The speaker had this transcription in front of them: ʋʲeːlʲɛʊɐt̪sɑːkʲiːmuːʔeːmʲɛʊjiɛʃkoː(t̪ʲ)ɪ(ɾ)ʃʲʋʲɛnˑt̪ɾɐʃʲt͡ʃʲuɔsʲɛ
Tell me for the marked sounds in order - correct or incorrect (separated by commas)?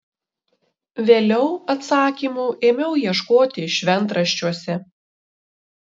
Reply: correct, incorrect